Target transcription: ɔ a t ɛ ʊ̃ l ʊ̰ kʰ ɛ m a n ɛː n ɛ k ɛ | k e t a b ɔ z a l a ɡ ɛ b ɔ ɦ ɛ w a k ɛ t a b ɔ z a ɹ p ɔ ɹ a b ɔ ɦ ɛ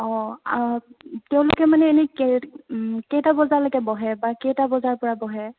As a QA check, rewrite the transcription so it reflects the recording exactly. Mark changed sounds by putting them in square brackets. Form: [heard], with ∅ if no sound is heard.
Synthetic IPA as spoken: ɔ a t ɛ ʊ̃ l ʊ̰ [k] ɛ m a n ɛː n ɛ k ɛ | k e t a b ɔ z a l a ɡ ɛ b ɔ ɦ ɛ [b] a k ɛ t a b ɔ z a ɹ p ɔ ɹ a b ɔ ɦ ɛ